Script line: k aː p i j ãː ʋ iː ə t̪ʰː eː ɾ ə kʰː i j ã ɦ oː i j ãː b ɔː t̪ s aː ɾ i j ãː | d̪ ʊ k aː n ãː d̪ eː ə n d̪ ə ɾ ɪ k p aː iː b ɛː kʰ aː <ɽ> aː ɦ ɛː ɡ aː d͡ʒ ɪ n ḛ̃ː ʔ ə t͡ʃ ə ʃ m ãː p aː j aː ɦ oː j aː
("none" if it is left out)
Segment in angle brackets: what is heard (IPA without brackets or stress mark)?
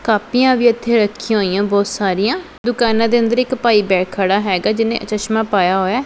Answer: ɽ